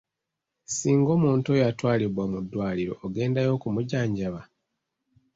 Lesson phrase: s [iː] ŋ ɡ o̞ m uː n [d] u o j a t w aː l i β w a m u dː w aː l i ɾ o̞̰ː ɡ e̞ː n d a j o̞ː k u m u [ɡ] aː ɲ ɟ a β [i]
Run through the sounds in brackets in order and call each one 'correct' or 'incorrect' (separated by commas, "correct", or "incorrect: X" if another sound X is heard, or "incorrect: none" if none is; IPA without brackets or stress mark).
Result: correct, incorrect: t, incorrect: ɟ, incorrect: a